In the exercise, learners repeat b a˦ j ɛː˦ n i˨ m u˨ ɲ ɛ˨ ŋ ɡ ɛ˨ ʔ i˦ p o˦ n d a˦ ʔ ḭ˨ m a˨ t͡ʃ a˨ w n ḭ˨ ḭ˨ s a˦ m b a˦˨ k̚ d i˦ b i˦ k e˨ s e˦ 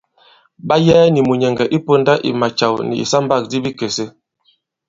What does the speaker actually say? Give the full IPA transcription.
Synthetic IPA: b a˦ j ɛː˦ n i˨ m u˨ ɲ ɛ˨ ŋ ɡ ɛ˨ ʔ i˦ p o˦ n d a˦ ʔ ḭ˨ m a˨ t͡ʃ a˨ w n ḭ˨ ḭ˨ s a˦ m b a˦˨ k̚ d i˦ b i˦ k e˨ s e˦